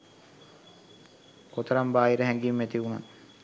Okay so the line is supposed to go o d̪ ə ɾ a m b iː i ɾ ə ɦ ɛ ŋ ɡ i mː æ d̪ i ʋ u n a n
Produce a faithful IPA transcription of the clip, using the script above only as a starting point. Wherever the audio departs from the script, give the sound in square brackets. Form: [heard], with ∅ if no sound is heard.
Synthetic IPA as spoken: o [t̪] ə ɾ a m b [aː] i ɾ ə ɦ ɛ ŋ ɡ i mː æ [t̪] i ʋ u n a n

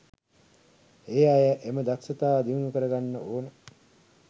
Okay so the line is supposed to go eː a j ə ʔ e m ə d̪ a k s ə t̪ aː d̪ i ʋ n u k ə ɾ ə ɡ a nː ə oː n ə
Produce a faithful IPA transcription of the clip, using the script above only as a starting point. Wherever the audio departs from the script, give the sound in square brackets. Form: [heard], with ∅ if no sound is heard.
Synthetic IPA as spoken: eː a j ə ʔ e m ə d̪ a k s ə t̪ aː d̪ i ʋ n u k ə ɾ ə ɡ a nː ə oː n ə

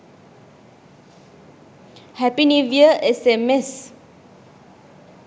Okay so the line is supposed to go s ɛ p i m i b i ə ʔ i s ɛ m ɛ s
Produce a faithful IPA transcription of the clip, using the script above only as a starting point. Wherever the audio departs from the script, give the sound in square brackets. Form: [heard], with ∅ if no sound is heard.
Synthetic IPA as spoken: [h] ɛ p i [n] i [v] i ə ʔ [ɛ] s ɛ m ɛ s

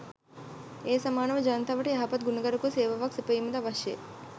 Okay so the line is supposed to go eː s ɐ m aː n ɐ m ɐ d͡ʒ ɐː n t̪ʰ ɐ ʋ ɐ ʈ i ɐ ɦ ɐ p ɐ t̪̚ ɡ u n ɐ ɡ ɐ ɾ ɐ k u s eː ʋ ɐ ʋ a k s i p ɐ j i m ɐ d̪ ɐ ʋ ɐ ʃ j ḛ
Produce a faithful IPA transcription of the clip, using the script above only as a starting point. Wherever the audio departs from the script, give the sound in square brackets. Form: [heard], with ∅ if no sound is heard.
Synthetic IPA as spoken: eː s ɐ m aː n ɐ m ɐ d͡ʒ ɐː n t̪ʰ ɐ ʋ ɐ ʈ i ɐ ɦ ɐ p ɐ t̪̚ ɡ u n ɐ ɡ ɐ ɾ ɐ k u s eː ʋ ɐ ʋ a k s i p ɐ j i m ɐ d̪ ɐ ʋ ɐ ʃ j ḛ

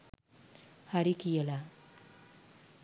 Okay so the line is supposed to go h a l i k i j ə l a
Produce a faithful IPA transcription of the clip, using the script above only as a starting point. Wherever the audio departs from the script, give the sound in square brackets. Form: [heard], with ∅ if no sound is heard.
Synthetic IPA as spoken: h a [ɾ] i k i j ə l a

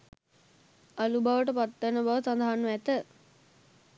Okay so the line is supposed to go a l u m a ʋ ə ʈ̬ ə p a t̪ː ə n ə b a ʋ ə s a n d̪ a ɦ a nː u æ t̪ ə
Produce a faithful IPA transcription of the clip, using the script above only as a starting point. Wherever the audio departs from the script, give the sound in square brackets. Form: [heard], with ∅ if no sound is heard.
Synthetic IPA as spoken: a l u [b] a ʋ ə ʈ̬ ə p a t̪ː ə n ə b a ʋ ə s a n d̪ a ɦ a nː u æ t̪ ə

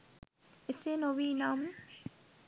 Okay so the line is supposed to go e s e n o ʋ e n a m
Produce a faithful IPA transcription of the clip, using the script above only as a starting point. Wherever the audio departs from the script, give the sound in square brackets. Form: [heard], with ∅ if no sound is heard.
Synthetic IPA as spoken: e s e n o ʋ [i] n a m

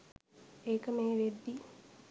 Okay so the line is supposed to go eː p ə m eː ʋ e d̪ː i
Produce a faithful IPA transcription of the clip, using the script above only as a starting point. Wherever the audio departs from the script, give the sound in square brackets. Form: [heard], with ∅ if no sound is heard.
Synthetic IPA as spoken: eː [k] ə m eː ʋ e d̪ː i

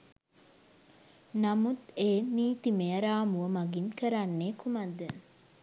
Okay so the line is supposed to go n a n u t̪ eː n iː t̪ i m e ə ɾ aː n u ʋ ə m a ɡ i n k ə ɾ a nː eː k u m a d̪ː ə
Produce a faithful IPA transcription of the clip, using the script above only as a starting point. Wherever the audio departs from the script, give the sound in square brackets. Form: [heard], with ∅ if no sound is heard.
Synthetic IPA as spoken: n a [m] u t̪ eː n iː t̪ i m e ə ɾ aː [m] u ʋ ə m a ɡ i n k ə ɾ a nː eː k u m a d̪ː ə

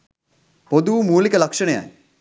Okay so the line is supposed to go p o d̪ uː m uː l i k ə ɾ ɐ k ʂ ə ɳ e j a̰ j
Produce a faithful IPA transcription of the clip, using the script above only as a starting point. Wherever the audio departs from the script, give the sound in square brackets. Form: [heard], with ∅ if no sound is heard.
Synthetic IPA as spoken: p o d̪ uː m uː l i k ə [l] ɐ k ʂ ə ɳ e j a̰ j

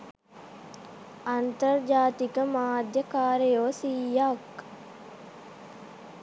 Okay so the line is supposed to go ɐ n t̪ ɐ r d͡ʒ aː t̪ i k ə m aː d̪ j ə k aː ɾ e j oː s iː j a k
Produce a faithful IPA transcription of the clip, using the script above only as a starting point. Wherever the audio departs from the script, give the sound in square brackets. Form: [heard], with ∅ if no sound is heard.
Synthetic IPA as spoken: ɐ n t̪ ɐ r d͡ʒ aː t̪ i k ə m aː d̪ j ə k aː ɾ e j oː s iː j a k

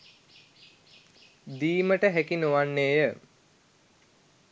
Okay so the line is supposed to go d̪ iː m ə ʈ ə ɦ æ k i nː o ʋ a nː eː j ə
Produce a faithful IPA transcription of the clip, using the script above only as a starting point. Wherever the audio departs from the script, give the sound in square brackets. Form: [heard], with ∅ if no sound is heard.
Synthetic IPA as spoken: d̪ iː m ə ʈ ə ɦ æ k i [n] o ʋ a nː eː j ə

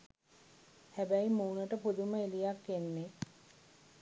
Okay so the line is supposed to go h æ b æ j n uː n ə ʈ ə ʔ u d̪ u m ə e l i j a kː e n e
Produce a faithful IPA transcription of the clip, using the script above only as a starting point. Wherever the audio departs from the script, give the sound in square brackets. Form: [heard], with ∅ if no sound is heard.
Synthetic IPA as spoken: h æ b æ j [m] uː n ə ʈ ə [p] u d̪ u m ə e l i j a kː e [nː] e

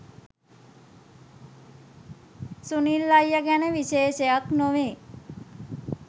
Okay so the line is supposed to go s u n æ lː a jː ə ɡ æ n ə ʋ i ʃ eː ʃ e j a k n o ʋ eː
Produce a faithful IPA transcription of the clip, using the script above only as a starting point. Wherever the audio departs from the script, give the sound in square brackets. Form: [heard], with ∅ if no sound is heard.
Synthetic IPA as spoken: s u n [i] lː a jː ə ɡ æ n ə ʋ i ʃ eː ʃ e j a k n o ʋ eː

